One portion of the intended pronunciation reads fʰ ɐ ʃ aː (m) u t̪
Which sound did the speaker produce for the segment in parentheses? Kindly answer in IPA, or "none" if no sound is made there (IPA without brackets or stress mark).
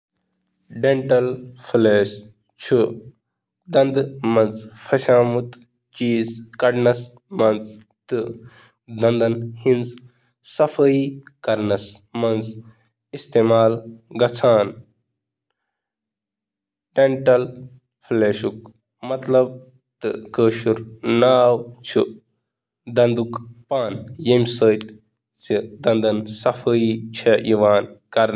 m